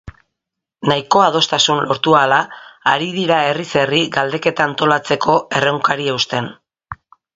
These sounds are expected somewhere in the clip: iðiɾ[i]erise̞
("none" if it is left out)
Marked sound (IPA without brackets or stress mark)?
a